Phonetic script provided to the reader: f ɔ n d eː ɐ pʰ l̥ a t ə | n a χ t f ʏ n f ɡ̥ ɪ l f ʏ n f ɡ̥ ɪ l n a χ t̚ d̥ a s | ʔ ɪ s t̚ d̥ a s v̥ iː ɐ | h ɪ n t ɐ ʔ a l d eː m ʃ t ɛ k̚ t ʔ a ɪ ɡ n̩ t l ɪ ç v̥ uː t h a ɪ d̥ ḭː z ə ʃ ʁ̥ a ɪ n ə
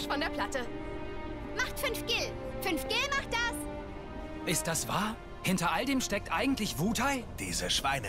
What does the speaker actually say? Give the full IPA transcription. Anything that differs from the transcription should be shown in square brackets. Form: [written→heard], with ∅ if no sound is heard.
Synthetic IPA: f ɔ n d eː ɐ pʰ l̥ a t ə | [n→m] a χ t f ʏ n f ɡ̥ ɪ l f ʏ n f ɡ̥ ɪ l [n→m] a χ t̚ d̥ a s | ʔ ɪ s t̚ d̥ a s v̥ [iː→aː] ɐ | h ɪ n t ɐ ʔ a l d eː m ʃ t ɛ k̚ t ʔ a ɪ ɡ [n̩→ŋ̩] t l ɪ ç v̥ uː t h a ɪ d̥ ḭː z ə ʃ [ʁ̥→v̥] a ɪ n ə